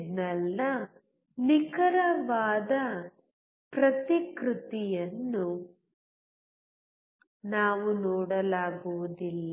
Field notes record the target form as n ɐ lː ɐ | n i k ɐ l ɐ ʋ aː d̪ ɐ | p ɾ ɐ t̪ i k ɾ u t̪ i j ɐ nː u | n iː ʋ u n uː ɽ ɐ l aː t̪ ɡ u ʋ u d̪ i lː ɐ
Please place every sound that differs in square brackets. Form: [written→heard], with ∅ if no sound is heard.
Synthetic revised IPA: n ɐ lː ɐ | n i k ɐ [l→ɾ] ɐ ʋ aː d̪ ɐ | p ɾ ɐ t̪ i k ɾ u t̪ i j ɐ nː u | n [iː→aː] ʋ u n [uː→ɔː] ɽ ɐ l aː [t̪→∅] ɡ u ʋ u d̪ i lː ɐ